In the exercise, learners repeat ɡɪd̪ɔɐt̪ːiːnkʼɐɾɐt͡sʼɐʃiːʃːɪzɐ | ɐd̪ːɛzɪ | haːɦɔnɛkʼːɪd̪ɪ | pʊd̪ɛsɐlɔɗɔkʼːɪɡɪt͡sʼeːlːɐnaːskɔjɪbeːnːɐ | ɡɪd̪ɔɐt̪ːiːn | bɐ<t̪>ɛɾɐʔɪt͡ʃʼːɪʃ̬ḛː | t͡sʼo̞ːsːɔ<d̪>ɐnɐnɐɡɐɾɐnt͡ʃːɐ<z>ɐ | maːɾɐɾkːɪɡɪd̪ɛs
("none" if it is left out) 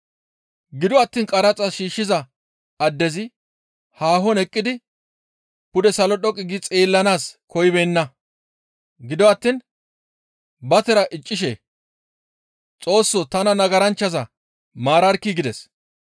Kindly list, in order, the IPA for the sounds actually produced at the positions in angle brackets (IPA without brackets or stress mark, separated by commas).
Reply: t̪, t̪, z